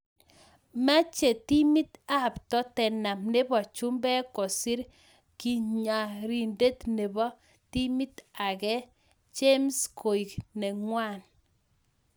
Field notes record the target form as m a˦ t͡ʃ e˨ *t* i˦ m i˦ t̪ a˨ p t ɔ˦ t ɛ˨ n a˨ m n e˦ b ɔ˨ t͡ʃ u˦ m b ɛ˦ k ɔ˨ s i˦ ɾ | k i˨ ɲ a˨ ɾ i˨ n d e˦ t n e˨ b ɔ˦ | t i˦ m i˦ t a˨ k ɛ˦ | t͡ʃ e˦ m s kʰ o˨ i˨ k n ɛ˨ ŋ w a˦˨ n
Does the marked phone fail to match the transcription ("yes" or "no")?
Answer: no